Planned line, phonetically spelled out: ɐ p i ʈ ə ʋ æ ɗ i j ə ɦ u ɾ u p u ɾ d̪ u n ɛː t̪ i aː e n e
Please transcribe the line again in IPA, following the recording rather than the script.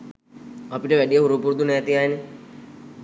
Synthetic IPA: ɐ p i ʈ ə ʋ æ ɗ i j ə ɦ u ɾ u p u ɾ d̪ u n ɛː t̪ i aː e n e